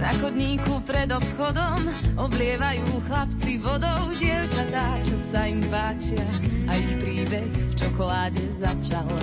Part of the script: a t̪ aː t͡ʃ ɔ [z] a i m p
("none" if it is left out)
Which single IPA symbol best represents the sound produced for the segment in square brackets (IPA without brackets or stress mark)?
s